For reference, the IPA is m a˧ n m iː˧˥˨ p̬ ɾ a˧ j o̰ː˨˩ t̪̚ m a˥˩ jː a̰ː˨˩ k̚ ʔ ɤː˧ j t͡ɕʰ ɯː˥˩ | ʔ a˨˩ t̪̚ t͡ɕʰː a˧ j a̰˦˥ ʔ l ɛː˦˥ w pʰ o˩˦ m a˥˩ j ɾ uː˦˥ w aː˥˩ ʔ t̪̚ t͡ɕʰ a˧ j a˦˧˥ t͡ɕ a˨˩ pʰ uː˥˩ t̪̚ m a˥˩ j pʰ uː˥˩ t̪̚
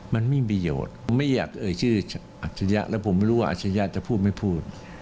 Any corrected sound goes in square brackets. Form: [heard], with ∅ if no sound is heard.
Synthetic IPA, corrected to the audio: m a˧ n m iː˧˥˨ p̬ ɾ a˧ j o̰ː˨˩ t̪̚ m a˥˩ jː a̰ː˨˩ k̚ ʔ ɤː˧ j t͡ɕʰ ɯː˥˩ | ʔ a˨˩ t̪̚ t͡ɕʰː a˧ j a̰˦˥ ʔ l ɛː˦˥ w pʰ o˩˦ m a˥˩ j ɾ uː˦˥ w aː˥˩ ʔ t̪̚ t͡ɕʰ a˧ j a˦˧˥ t͡ɕ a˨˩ pʰ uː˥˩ t̪̚ m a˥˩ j pʰ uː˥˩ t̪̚